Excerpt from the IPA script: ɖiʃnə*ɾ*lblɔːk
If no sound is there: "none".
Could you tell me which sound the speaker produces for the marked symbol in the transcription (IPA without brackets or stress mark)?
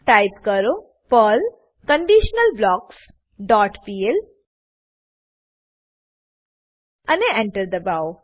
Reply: none